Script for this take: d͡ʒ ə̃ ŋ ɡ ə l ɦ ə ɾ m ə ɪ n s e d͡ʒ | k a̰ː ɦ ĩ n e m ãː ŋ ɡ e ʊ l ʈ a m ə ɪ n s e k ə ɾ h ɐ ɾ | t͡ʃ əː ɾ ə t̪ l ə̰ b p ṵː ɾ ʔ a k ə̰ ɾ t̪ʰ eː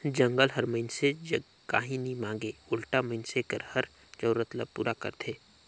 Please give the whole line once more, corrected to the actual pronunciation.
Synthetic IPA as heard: d͡ʒ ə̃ ŋ ɡ ə l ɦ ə ɾ m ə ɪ n s e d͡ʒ | k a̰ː ɦ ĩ n i m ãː ŋ ɡ e ʊ l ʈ a m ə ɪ n s e k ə ɾ h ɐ ɾ | t͡ʃ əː ɾ ə t̪ l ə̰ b p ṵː ɾ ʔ a k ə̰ ɾ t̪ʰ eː